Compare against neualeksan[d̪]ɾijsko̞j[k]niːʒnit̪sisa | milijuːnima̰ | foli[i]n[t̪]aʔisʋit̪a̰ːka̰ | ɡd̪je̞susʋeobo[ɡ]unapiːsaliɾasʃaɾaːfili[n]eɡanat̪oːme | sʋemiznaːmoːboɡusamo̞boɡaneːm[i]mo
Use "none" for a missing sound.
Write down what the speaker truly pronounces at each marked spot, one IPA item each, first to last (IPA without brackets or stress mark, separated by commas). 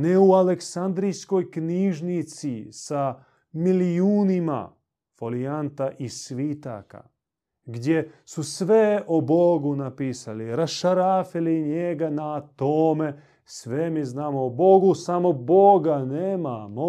d̪, k, a, t̪, ɡ, ɲ, a